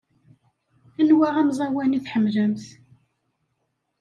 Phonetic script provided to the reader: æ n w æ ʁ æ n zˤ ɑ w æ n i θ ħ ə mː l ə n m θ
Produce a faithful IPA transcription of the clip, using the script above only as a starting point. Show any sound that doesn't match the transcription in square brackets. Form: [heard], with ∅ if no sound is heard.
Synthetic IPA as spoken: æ n w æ ʁ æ [m] zˤ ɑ w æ n i θ ħ ə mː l ə [∅] m θ